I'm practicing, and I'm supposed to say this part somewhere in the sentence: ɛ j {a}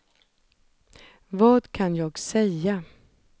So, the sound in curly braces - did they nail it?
yes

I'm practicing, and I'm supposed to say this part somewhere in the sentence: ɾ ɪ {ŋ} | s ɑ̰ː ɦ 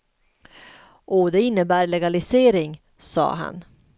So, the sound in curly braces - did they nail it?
yes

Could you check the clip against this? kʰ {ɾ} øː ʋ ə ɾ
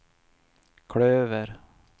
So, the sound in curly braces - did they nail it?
no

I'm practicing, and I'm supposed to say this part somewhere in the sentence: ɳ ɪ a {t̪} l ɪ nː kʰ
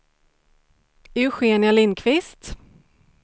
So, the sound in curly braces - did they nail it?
no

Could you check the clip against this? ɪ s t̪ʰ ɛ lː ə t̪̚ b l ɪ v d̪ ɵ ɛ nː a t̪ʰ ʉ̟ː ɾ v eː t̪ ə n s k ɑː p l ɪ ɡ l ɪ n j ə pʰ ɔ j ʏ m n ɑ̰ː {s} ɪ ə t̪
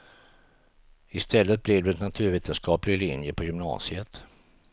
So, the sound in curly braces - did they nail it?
yes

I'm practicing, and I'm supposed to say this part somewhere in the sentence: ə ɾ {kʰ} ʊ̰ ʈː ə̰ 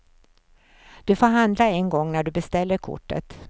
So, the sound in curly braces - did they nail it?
yes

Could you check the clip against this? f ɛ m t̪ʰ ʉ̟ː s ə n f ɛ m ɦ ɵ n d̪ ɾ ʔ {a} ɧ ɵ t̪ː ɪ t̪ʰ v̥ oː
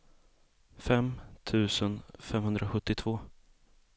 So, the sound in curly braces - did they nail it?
yes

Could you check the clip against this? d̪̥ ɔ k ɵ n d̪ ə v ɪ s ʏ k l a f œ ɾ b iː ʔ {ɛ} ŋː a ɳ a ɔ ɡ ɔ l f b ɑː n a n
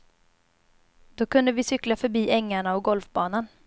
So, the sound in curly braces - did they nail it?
yes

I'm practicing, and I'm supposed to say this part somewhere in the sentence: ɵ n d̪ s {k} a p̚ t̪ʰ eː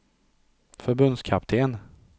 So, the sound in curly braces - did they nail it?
no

